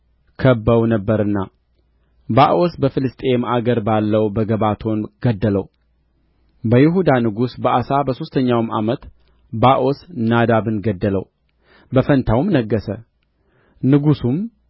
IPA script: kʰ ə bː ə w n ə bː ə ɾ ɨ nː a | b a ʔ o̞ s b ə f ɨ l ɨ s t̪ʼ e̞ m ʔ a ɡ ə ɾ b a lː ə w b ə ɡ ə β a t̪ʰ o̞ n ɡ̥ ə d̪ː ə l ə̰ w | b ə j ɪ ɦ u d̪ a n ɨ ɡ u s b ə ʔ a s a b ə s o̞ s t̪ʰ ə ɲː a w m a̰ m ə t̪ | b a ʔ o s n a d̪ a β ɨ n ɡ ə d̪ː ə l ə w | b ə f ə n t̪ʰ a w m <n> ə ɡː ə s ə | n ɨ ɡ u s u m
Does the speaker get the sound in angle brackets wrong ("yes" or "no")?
no